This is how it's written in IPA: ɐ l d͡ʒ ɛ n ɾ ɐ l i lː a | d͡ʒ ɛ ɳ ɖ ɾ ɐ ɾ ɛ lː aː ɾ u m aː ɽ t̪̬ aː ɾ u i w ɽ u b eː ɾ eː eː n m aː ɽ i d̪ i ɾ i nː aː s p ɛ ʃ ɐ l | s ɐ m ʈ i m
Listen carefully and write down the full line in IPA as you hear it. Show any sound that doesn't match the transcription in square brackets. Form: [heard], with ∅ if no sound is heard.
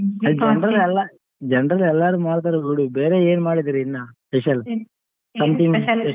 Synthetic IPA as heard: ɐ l d͡ʒ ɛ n ɾ ɐ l [ɛ] lː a | d͡ʒ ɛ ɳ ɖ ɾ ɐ [l] ɛ lː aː ɾ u m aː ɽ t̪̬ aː ɾ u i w ɽ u b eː ɾ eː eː n m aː ɽ i d̪ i ɾ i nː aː s p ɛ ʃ ɐ l | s ɐ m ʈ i m